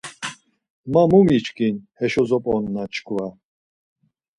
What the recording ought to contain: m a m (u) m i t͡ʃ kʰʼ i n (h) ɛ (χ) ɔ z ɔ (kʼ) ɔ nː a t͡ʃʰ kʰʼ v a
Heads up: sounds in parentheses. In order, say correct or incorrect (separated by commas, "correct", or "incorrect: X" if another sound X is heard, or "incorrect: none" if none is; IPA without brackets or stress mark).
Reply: correct, correct, incorrect: ʃ, incorrect: pʼ